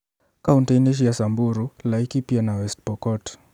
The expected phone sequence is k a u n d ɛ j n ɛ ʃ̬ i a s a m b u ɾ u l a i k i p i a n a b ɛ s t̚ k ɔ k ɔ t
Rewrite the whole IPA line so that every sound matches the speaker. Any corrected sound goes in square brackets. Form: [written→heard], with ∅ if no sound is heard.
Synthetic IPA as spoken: k a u n [d→t] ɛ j n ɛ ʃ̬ [i→j] a s a m b u ɾ u l a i k i p i a n a [b→w] ɛ s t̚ [k→p] ɔ k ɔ t

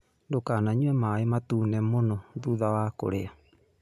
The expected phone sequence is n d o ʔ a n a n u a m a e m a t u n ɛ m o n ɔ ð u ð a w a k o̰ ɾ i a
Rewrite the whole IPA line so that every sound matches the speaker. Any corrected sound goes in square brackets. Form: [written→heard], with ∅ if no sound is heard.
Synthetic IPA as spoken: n d o [ʔ→k] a n a [n→ɲ] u [a→ɛ] m a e m a t u n ɛ m o n ɔ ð u ð a w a k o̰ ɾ [i→e] a

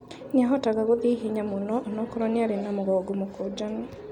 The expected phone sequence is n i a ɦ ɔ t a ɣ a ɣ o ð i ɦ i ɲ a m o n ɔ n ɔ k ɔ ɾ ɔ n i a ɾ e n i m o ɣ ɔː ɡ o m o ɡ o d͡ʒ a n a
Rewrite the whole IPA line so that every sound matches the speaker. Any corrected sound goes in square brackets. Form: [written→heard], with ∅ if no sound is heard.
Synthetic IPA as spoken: n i a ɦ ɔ t a ɣ a ɣ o ð i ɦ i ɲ a m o n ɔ n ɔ k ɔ ɾ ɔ n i a ɾ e n [i→a] m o ɣ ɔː ɡ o m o [ɡ→k] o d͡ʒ a n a

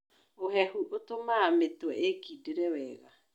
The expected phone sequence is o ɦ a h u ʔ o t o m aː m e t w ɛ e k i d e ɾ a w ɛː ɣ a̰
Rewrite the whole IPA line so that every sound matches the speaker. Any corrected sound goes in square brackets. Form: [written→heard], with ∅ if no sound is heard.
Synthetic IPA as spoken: o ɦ [a→ɛ] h u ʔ o t o m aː m e t w ɛ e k i d e ɾ [a→ɛ] w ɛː ɣ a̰

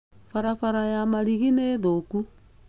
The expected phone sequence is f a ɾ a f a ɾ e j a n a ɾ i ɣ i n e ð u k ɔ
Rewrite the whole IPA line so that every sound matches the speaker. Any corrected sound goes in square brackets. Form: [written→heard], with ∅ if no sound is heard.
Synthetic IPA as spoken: f a ɾ a f a ɾ [e→a] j a [n→m] a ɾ i ɣ i n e ð [u→o] k [ɔ→u]

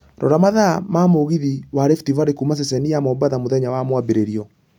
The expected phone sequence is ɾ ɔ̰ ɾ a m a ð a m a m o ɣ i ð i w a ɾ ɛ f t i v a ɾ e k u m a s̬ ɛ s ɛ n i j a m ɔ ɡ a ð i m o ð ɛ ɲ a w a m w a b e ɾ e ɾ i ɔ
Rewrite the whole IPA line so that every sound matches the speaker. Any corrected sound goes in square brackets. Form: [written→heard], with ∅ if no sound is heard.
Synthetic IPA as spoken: ɾ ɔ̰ ɾ a m a ð a m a m o ɣ i ð i w a ɾ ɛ f t i v a ɾ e k u m a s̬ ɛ s ɛ n i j a m ɔ [ɡ→b] a ð [i→a] m o ð ɛ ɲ a w a m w a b e ɾ e ɾ i ɔ

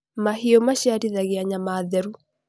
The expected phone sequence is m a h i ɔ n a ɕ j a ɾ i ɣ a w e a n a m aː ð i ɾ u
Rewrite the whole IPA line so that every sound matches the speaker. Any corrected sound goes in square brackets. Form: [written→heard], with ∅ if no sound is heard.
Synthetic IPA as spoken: m a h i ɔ [n→m] a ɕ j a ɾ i [ɣ→ð] a [w→ɣ] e a [n→ɲ] a m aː ð [i→ɛ] ɾ u

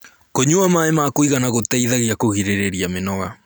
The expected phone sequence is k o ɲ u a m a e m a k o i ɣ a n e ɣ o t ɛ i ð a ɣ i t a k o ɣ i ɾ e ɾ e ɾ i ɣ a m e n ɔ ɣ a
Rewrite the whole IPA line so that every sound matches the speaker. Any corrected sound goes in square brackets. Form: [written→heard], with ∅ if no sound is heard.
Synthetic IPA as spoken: k o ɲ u a m a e m a k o i ɣ a n [e→a] ɣ o t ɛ i ð a ɣ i [t→∅] a k o ɣ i ɾ e ɾ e ɾ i [ɣ→∅] a m e n ɔ ɣ a

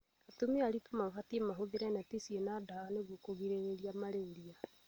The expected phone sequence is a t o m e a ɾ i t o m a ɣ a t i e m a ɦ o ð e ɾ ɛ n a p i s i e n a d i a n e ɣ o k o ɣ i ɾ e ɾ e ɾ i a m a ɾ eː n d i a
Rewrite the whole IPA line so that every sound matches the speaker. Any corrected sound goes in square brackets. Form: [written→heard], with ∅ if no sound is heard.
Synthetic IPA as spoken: a t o m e a ɾ i t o m a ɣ a t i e m a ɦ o ð e ɾ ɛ n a [p→t] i s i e n a d [i→a] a n e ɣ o k o ɣ i ɾ e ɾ e ɾ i a m a ɾ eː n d i a

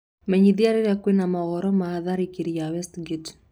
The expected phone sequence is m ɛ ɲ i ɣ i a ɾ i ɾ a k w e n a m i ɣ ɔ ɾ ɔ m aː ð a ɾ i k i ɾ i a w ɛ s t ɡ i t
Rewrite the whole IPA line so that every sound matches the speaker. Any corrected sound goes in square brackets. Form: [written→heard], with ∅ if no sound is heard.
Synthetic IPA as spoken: m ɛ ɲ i [ɣ→ð] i a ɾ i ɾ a k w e n a m [i→a] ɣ ɔ ɾ ɔ m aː ð a ɾ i k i ɾ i a w ɛ s t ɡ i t

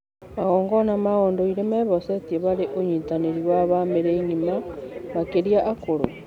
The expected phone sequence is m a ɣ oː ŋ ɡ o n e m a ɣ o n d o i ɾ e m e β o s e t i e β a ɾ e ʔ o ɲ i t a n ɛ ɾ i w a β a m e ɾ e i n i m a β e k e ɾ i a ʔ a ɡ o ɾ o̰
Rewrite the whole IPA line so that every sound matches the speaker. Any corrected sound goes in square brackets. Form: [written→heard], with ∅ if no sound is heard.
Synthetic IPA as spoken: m a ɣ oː ŋ ɡ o n [e→a] m a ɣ o n d o i ɾ e m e β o s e t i e β a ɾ e ʔ o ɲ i t a n [ɛ→e] ɾ i w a β a m e ɾ e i [n→ɲ] i m a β [e→a] k e ɾ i a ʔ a [ɡ→k] o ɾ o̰

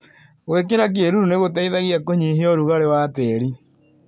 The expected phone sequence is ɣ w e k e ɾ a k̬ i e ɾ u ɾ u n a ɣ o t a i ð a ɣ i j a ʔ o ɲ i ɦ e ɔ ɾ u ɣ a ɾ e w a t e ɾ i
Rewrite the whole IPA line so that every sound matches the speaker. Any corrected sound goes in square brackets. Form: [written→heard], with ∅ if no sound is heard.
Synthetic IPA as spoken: ɣ w e k e ɾ a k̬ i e ɾ u ɾ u n [a→e] ɣ o t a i ð a ɣ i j a [ʔ→k] o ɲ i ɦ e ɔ ɾ u ɣ a ɾ e w a t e ɾ i

